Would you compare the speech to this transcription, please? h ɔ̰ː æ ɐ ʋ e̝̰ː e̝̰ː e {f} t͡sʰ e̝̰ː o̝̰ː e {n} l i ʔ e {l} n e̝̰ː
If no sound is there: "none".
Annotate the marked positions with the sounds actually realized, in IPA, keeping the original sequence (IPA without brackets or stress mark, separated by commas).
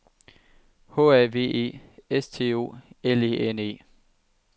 s, none, none